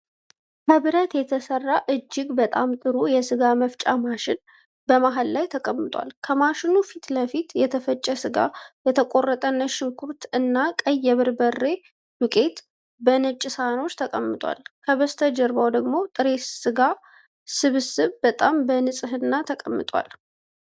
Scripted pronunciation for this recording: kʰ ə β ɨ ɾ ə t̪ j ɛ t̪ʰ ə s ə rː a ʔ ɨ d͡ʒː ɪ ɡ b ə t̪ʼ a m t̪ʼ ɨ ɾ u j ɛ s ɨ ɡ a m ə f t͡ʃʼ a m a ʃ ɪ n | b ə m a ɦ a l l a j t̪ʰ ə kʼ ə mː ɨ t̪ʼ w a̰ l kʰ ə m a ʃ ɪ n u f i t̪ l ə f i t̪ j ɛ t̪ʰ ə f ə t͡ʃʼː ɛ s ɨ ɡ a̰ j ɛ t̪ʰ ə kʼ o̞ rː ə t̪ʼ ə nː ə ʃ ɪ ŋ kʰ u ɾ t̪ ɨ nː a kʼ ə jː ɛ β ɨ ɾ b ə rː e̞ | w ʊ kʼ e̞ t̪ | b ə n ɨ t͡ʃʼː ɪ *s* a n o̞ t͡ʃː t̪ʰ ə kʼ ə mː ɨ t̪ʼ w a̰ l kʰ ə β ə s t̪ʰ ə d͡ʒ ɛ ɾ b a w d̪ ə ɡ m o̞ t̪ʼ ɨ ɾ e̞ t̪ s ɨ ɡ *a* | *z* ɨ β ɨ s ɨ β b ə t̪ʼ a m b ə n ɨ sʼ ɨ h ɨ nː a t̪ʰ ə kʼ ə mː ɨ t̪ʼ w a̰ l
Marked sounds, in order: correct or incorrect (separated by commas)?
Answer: correct, correct, incorrect